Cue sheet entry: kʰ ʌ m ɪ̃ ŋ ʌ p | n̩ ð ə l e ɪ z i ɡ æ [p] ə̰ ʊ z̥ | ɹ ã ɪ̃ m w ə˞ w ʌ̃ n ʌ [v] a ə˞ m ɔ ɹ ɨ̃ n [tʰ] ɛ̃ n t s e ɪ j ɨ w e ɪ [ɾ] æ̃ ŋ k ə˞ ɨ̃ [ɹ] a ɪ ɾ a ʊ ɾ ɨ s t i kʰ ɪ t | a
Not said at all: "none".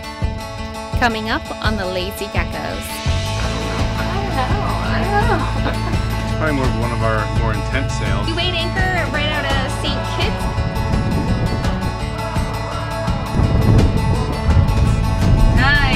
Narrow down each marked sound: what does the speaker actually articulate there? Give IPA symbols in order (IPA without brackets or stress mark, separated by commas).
k, v, tʰ, ɾ, ɹ